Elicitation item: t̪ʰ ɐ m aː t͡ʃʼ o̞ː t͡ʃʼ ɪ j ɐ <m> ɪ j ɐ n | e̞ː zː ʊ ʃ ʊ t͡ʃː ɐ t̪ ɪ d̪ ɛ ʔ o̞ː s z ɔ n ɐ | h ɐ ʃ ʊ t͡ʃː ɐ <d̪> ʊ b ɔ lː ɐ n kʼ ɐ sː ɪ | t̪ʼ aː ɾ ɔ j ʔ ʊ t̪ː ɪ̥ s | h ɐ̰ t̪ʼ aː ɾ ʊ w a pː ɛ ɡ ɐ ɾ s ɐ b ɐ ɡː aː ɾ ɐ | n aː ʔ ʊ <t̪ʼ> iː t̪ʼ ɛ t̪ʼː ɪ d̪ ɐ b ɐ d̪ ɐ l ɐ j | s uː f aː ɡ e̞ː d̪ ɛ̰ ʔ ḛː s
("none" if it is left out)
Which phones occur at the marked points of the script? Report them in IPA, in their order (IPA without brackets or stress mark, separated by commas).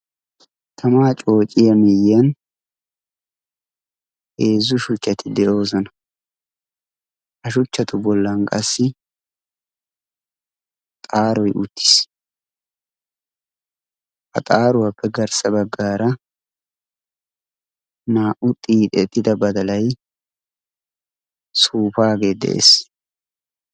m, t̪, t̪ʼ